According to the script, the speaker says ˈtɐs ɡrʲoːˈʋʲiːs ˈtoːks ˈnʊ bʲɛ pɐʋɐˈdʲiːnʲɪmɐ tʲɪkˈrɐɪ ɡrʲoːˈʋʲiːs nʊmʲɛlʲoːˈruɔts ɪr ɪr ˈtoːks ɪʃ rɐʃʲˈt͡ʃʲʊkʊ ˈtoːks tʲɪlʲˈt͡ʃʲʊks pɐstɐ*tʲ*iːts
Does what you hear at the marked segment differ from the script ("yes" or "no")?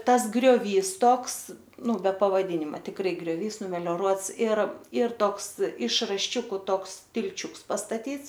no